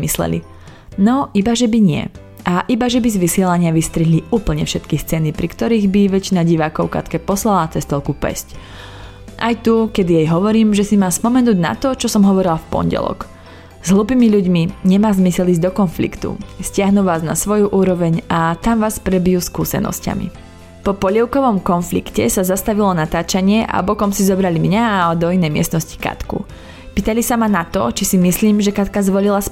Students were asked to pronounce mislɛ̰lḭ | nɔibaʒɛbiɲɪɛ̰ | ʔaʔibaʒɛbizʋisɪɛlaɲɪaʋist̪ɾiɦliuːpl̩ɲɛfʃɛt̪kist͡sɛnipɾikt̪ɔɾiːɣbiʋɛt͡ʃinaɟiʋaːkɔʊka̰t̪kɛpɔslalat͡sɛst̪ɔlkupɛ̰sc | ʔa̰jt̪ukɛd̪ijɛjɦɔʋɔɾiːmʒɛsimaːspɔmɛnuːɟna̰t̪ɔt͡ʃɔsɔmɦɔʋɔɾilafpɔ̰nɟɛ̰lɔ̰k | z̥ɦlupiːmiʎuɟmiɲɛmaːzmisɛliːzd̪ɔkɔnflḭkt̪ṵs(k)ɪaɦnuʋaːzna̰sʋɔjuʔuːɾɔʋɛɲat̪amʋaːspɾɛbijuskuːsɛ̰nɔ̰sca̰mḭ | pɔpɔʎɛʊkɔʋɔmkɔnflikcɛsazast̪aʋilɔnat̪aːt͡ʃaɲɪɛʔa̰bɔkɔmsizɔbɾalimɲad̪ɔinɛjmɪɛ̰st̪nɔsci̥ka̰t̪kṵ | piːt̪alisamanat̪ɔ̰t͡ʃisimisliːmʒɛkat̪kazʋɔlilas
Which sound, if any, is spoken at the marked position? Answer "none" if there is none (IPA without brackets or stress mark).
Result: c